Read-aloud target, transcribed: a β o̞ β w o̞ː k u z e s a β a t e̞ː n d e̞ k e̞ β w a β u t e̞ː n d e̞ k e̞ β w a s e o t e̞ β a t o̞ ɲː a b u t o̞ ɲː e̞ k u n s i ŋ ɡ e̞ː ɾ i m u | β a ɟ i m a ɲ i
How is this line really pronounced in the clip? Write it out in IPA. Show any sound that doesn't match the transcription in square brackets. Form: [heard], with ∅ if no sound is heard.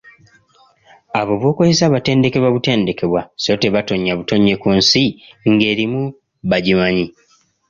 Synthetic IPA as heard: a β o̞ β w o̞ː k [o] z e s a β a t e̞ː n d e̞ k e̞ β w a β u t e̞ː n d e̞ k e̞ β w a s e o t e̞ β a t o̞ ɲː a [β] u t o̞ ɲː e̞ k u n s i ŋ ɡ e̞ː ɾ i m u | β a ɟ i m a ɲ i